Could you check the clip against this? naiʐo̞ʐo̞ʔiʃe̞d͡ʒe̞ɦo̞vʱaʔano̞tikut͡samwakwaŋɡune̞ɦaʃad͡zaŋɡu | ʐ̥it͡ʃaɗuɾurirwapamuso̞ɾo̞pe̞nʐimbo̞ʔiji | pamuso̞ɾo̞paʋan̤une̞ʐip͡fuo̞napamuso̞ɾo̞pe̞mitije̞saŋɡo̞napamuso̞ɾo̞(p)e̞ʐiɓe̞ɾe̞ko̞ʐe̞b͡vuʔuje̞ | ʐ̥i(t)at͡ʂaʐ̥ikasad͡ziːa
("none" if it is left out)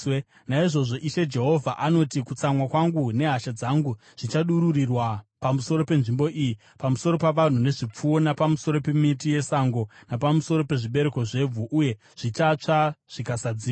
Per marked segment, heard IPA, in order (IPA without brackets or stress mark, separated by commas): p, t͡ʃ